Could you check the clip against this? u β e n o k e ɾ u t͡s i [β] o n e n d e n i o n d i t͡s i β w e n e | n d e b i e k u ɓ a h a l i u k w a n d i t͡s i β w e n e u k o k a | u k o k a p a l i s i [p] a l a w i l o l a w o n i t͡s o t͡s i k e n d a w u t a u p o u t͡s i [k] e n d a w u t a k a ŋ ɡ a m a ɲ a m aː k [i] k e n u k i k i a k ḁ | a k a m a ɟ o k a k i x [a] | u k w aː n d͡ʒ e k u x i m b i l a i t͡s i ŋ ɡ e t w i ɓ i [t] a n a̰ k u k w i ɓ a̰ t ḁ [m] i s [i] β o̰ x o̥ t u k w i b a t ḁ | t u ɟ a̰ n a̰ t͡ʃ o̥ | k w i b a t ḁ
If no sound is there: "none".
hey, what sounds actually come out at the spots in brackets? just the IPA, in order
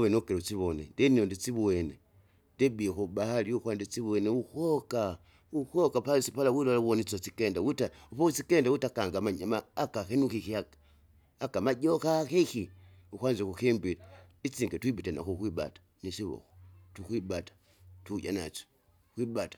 β, p, k, a, i, t, n, i

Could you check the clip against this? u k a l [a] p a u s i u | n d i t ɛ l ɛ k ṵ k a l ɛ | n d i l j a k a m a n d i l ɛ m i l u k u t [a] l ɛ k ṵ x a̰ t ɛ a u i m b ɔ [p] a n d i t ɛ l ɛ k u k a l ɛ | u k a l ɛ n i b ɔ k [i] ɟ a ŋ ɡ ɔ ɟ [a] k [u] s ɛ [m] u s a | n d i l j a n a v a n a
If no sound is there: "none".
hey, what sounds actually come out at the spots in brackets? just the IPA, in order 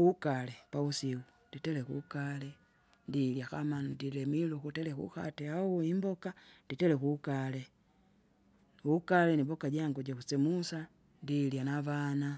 ɛ, ɛ, k, a, a, u, m

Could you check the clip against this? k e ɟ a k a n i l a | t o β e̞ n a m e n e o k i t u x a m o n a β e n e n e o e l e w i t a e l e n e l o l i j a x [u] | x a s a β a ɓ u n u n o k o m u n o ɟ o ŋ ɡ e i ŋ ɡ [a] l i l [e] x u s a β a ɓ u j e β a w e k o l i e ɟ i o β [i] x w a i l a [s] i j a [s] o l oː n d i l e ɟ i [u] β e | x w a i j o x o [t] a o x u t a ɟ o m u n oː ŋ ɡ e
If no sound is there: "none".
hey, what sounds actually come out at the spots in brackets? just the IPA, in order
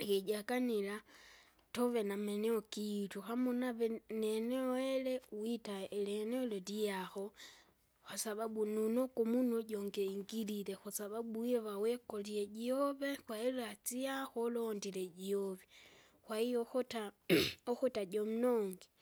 o, i, e, e, t͡s, x, o, t

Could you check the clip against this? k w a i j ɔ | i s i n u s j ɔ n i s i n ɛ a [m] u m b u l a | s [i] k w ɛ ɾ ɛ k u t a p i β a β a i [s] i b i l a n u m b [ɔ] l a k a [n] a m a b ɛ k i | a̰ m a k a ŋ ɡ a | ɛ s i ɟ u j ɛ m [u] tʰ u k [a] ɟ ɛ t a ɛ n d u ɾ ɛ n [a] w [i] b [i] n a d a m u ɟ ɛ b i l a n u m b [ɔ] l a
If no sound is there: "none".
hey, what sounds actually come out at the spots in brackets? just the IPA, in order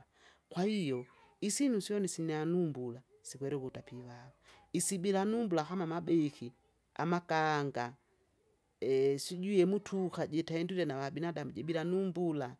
n, i, s, u, m, u, a, a, a, i, u

